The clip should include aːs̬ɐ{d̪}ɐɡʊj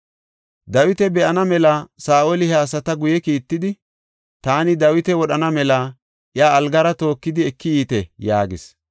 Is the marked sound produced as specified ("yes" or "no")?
no